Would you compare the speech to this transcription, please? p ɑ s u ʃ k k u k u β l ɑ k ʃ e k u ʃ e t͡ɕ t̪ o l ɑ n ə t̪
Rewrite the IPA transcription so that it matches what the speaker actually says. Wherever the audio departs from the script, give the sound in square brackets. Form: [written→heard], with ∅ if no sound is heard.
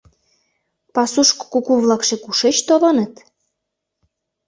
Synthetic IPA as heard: p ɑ s u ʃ k k u k u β l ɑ k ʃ e k u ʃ e t͡ɕ t̪ o l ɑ n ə t̪